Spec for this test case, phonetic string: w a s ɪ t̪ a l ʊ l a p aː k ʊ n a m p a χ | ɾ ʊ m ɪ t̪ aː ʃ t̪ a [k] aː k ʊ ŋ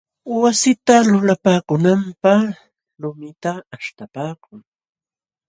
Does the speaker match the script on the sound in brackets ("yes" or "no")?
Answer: no